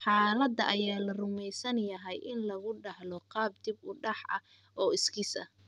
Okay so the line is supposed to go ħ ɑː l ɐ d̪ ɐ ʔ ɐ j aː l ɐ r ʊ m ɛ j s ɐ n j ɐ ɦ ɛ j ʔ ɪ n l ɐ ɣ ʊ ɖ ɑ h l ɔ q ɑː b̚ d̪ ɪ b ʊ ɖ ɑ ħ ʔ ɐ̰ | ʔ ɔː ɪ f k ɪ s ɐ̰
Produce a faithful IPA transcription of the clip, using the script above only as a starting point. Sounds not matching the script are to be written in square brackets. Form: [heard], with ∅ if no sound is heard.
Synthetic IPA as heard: ħ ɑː l ɐ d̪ ɐ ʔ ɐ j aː l ɐ r ʊ m ɛ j s ɐ n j ɐ ɦ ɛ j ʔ ɪ n l ɐ ɣ ʊ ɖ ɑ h l ɔ q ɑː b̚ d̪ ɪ b ʊ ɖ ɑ ħ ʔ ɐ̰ | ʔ ɔː ɪ [s] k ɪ s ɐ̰

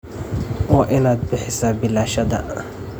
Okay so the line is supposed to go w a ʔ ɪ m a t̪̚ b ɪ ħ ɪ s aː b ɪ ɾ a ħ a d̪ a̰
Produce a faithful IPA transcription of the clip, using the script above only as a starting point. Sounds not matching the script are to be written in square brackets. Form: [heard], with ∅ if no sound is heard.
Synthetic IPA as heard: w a ʔ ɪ [n] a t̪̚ b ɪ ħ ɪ s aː b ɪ [l] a [ʃ] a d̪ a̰

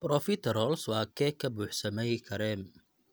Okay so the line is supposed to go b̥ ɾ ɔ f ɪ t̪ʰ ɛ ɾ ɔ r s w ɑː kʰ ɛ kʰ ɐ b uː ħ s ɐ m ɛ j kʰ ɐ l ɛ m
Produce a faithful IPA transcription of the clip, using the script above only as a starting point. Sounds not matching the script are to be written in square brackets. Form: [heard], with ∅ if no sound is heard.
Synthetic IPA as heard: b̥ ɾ ɔ f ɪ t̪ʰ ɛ ɾ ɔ [l] s w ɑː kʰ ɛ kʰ ɐ b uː ħ s ɐ m ɛ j kʰ ɐ [ɾ] ɛ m

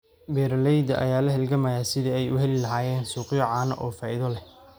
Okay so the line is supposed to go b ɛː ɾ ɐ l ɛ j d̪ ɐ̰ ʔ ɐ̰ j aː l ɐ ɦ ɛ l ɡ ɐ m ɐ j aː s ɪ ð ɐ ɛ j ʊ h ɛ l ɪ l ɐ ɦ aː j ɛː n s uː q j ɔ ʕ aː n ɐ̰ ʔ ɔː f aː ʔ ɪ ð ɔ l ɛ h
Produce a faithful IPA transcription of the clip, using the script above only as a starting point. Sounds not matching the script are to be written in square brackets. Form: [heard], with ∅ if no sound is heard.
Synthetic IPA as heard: b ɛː ɾ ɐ l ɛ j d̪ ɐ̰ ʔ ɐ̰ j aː l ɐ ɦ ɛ l ɡ ɐ m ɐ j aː s ɪ ð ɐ ɛ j ʊ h ɛ l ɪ l ɐ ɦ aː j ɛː n s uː q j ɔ ʕ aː n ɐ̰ ʔ ɔː f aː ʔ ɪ ð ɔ l ɛ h

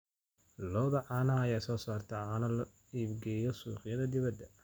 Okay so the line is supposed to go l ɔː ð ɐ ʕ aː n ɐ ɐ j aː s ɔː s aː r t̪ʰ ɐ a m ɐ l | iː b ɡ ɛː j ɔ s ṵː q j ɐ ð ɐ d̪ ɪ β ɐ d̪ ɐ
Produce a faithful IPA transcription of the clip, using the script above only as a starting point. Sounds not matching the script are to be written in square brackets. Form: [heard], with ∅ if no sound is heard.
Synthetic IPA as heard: l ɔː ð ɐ ʕ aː n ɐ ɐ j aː s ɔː s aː r t̪ʰ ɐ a [n] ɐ l | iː b ɡ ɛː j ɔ s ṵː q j ɐ ð ɐ d̪ ɪ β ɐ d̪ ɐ

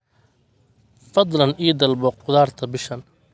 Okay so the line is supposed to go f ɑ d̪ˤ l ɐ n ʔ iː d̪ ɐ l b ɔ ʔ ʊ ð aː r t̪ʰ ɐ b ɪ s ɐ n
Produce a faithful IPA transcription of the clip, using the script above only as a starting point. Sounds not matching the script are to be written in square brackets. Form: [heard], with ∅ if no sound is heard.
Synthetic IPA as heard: f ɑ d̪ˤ l ɐ n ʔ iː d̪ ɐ l b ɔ [q] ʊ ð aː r t̪ʰ ɐ b ɪ [ʃ] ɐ n

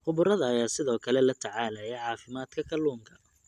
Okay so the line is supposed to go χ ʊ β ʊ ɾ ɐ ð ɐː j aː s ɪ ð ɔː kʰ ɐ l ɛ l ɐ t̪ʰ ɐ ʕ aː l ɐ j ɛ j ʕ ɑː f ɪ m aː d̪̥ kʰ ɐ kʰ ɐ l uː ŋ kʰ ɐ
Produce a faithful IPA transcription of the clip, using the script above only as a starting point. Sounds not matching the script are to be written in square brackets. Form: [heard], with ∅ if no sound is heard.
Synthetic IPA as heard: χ ʊ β ʊ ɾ ɐ ð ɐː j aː s ɪ ð ɔː kʰ ɐ l ɛ l ɐ t̪ʰ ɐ ʕ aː l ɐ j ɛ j ʕ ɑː f ɪ m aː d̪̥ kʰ ɐ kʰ ɐ l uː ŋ kʰ ɐ

